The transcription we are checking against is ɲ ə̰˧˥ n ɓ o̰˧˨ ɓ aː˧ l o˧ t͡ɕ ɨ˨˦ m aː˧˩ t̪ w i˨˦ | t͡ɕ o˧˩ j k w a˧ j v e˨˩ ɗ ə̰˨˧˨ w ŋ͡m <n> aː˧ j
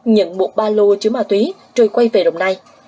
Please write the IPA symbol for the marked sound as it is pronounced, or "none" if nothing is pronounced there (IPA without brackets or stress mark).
n